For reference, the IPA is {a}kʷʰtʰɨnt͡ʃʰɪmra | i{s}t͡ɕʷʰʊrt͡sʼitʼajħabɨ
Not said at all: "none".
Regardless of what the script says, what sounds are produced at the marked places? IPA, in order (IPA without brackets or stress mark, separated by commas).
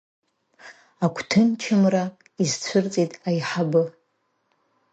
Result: a, z